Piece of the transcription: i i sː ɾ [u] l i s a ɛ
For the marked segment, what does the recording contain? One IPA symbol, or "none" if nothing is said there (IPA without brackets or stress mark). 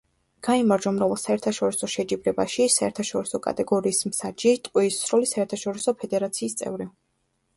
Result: ɔ